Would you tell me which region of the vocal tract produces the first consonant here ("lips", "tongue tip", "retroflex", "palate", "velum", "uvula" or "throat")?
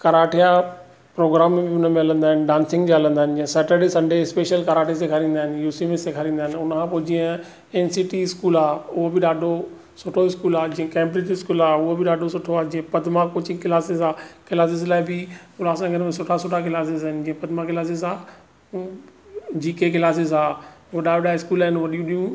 velum